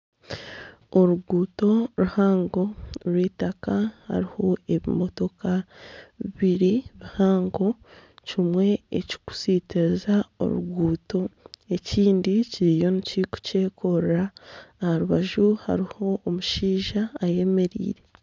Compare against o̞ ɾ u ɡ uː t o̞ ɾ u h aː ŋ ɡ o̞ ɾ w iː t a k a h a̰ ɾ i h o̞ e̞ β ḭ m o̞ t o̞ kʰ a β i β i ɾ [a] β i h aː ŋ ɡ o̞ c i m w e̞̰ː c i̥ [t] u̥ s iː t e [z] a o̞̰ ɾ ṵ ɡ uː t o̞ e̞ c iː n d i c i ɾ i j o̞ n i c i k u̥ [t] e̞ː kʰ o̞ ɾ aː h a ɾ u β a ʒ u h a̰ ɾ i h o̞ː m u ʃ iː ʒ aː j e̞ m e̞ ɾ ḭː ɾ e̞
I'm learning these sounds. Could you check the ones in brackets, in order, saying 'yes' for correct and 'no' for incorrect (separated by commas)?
no, no, yes, no